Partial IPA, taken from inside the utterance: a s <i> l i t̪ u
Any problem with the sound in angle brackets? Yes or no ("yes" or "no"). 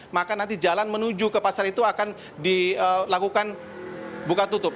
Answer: yes